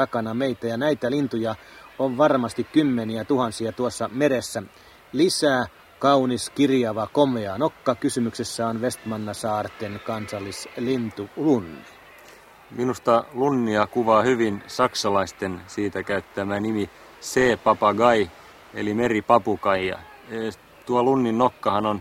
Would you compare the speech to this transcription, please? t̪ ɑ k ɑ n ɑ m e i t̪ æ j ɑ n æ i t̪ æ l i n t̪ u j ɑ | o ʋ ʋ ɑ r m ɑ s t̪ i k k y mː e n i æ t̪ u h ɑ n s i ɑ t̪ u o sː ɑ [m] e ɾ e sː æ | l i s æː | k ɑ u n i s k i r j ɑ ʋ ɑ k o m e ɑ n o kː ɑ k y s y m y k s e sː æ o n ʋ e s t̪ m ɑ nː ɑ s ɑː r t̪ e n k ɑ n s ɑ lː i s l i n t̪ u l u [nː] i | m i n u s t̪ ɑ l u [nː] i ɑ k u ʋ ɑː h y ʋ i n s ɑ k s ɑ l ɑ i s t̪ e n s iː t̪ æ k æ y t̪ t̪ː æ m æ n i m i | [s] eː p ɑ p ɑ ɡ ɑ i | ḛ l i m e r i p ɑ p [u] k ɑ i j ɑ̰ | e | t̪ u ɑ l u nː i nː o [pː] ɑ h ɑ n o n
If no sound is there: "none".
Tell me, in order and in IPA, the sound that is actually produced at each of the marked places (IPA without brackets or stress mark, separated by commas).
m, nː, nː, s, u, kː